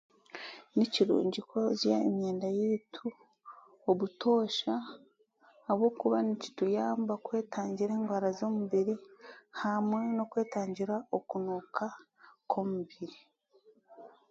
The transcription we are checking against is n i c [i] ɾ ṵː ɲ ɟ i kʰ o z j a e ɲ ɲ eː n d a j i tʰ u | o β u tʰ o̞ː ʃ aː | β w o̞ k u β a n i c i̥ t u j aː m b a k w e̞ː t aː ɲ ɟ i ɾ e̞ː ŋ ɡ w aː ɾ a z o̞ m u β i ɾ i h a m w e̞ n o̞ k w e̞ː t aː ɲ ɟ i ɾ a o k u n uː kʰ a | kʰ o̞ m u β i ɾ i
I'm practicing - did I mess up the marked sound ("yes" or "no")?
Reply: no